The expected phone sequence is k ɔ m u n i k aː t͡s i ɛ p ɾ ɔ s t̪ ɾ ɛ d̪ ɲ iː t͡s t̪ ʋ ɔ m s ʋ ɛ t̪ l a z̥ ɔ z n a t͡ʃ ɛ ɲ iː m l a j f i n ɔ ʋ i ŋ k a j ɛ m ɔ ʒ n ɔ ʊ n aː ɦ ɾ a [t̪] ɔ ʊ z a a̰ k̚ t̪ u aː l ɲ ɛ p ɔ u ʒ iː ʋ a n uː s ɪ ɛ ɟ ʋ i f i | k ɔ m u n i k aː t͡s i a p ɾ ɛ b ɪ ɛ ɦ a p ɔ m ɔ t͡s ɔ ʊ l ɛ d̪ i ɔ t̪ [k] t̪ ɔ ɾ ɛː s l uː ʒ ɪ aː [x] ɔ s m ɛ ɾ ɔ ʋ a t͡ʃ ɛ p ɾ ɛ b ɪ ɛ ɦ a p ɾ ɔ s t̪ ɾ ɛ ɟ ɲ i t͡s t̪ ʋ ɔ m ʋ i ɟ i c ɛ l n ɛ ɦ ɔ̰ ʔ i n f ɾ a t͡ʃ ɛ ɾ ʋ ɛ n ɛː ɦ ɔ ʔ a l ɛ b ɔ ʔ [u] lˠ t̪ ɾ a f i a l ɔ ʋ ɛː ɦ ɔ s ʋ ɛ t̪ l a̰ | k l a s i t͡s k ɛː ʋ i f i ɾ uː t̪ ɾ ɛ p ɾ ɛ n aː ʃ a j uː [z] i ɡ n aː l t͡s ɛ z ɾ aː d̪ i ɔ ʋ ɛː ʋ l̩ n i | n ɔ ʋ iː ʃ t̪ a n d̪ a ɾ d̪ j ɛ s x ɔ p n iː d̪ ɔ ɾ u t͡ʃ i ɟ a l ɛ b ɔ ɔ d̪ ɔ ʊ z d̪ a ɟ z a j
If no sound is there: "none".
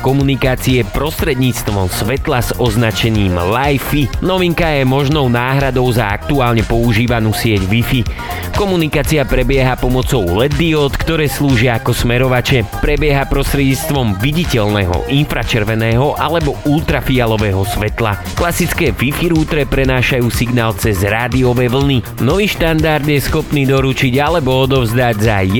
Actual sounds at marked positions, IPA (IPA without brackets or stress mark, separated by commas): d̪, k, k, u, s